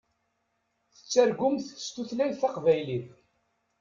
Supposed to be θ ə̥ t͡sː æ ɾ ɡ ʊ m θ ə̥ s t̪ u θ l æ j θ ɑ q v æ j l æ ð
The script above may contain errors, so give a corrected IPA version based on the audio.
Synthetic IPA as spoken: θ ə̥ t͡sː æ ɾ ɡ ʊ m θ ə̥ s t̪ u θ l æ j θ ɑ q v æ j l i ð